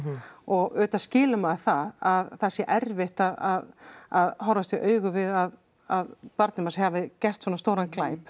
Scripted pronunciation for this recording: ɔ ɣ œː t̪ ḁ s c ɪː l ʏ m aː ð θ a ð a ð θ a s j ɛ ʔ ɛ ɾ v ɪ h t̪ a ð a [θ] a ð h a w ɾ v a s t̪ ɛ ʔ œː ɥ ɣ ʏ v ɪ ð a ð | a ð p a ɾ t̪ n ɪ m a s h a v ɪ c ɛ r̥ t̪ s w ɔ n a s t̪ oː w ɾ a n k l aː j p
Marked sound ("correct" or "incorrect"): incorrect